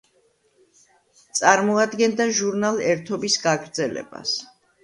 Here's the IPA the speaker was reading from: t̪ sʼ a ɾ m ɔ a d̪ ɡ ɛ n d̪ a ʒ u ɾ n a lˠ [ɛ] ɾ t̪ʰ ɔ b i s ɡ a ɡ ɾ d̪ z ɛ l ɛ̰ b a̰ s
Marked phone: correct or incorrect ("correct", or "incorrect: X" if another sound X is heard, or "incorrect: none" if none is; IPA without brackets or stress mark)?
correct